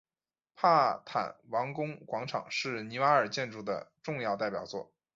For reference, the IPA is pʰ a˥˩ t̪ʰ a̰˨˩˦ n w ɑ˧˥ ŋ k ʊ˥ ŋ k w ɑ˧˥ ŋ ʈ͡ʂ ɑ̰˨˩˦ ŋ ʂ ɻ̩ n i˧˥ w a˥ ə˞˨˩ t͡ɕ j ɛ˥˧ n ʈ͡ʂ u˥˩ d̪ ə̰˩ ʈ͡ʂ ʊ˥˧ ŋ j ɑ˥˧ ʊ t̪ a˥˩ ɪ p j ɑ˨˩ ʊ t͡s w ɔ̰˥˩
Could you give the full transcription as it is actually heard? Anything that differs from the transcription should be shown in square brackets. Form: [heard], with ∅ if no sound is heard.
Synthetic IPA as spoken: pʰ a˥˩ t̪ʰ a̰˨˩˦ n w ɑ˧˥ ŋ k ʊ˥ ŋ k w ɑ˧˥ ŋ [ʈ͡ʂʰ] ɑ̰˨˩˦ ŋ ʂ ɻ̩ n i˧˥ w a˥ ə˞˨˩ t͡ɕ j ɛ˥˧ n ʈ͡ʂ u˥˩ d̪ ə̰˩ ʈ͡ʂ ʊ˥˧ ŋ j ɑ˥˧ ʊ t̪ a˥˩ ɪ p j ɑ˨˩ ʊ t͡s w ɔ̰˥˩